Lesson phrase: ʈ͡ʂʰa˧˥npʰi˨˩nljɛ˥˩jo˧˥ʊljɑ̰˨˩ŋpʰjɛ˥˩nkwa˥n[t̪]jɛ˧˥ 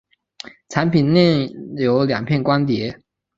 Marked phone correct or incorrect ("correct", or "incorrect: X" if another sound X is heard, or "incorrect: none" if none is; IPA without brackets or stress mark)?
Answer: correct